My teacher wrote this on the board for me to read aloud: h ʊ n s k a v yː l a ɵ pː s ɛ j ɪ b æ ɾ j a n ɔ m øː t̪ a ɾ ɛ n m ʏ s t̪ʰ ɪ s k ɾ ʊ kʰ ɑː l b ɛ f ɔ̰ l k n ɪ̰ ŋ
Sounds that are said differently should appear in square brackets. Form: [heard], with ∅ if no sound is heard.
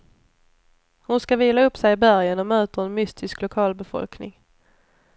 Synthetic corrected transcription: h ʊ n s k a v [iː] l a ɵ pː s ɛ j ɪ b æ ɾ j [ə] n ɔ m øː t̪ [ə] ɾ ɛ n m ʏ s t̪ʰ ɪ s k [l] ʊ kʰ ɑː l b ɛ f ɔ̰ l k n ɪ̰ ŋ